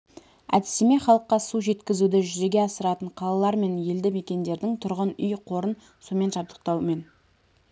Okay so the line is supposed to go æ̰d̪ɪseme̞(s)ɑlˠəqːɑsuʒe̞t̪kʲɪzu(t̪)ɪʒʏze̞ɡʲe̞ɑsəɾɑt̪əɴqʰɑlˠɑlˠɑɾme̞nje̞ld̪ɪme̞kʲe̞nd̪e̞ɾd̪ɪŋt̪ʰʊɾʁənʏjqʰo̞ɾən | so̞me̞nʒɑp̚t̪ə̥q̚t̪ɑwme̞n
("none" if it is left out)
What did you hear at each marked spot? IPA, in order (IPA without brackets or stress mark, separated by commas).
χ, d̪